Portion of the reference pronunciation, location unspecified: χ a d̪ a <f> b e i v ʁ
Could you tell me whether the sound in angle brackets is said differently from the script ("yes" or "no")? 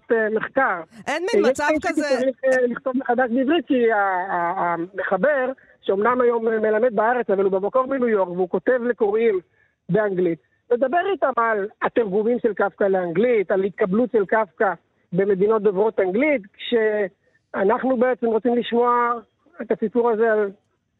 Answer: yes